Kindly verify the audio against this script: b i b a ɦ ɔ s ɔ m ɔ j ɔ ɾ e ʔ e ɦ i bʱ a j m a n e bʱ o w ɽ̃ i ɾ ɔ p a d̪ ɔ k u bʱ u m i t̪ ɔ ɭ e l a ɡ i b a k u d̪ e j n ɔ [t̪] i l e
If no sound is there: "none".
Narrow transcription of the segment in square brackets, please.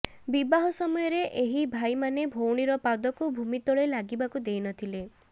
t̪ʰ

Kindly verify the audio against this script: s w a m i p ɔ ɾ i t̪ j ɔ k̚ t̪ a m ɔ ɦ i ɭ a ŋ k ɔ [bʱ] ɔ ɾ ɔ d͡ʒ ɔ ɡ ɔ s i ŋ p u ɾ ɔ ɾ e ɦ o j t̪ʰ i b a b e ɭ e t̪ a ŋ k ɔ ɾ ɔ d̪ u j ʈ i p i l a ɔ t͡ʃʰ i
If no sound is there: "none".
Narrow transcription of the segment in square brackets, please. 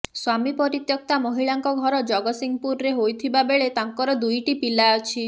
ɡʱ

